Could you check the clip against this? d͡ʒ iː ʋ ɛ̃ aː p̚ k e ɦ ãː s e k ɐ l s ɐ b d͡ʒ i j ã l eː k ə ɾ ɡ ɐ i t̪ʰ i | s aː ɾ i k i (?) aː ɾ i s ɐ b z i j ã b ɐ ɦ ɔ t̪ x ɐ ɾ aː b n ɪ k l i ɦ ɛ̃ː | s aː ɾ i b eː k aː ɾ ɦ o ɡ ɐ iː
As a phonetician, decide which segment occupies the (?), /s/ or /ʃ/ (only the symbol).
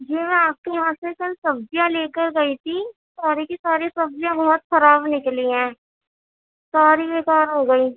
s